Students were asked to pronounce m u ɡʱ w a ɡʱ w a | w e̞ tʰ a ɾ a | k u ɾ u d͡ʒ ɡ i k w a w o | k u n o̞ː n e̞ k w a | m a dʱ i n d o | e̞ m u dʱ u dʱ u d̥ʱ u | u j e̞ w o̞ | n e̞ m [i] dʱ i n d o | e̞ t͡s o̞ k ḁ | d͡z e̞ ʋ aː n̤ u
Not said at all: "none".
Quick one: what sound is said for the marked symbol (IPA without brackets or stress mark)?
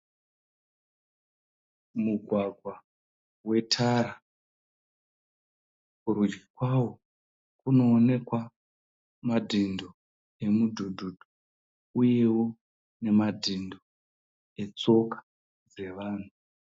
a